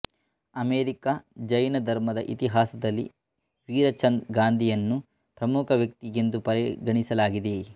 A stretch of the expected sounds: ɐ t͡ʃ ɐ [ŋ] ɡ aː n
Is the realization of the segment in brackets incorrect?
yes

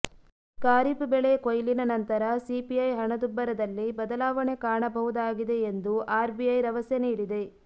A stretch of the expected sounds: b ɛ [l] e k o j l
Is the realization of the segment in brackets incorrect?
yes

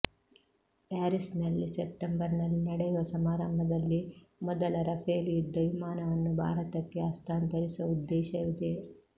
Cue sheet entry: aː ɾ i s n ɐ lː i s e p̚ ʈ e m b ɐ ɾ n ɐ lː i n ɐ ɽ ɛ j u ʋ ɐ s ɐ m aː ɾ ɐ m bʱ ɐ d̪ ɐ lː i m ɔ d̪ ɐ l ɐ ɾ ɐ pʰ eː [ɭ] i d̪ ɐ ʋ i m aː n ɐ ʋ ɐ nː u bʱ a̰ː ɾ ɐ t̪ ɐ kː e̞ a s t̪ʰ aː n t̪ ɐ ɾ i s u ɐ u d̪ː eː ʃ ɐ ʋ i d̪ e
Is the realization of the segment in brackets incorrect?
yes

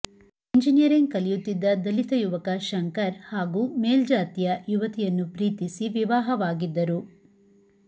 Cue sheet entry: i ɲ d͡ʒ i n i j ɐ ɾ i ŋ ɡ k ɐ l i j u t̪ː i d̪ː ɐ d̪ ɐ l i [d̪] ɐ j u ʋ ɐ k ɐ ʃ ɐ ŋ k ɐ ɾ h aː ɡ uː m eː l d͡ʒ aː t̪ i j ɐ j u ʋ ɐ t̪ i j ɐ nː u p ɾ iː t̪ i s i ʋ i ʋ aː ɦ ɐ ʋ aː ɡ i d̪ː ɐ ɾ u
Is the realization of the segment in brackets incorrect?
yes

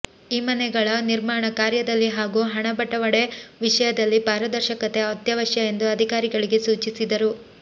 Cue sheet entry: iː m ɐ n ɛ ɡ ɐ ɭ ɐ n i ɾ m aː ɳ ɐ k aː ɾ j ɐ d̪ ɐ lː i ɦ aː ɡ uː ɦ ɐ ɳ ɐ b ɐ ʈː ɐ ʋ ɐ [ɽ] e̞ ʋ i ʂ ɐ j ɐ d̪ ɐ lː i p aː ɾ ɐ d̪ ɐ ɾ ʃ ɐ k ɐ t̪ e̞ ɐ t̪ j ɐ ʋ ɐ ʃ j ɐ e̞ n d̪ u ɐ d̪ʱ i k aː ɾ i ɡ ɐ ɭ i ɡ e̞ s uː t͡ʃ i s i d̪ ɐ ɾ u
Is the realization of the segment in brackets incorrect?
no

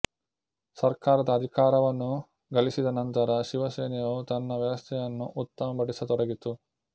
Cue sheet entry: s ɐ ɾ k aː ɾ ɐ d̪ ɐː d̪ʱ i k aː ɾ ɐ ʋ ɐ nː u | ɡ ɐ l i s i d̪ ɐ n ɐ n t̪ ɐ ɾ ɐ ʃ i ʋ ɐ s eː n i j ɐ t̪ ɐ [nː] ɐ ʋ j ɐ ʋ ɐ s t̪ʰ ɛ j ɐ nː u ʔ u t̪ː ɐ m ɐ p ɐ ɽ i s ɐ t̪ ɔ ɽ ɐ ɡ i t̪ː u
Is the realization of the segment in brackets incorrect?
no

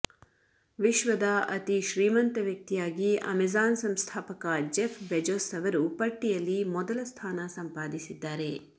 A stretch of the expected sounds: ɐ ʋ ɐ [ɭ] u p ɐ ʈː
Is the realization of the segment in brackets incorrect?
yes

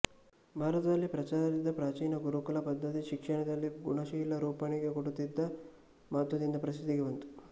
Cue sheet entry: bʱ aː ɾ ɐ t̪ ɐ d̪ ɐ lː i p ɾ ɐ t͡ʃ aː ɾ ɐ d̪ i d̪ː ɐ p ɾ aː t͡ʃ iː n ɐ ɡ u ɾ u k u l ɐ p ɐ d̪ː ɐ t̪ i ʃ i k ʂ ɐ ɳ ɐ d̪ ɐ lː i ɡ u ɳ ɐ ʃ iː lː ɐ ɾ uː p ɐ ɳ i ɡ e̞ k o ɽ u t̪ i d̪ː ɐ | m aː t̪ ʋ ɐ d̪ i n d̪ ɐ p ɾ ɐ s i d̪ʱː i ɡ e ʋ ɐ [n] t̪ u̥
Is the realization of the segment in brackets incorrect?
no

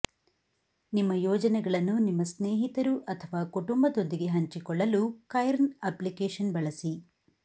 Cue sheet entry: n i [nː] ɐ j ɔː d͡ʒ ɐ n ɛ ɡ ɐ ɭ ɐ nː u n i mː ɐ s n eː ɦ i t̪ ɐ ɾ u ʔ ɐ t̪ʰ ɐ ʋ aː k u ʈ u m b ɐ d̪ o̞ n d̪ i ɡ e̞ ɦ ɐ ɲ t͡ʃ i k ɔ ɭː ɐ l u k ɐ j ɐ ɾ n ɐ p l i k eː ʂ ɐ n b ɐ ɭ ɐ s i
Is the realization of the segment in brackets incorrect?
yes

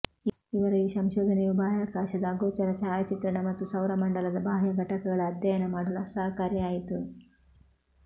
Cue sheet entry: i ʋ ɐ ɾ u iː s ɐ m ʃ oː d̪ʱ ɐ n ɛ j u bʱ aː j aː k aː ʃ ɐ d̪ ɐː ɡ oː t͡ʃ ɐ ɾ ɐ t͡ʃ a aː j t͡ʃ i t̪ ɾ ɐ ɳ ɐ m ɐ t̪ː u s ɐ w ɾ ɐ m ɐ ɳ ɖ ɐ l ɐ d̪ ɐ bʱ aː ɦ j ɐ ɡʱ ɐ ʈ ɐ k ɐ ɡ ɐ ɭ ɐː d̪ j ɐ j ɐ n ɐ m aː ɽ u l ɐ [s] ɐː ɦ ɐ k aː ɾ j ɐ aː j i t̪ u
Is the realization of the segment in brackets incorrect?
no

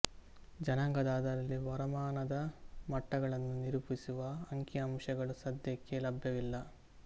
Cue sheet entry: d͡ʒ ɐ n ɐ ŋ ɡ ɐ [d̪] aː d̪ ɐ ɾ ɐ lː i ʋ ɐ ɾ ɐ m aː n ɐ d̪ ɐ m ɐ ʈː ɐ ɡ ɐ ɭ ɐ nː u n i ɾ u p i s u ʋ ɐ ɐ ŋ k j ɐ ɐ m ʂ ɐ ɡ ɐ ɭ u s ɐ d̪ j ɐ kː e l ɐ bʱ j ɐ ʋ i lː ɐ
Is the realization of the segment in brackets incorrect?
no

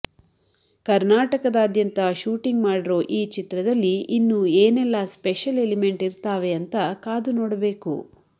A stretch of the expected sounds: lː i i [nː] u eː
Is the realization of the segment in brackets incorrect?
no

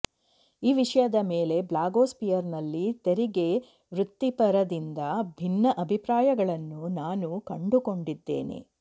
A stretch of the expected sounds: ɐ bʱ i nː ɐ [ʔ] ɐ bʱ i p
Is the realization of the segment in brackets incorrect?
no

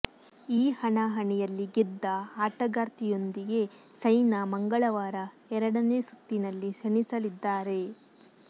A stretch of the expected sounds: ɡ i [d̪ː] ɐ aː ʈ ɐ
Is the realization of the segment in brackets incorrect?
no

